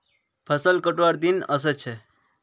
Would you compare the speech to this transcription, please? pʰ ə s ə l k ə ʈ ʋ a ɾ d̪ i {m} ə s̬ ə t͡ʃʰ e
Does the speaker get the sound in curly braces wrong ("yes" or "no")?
yes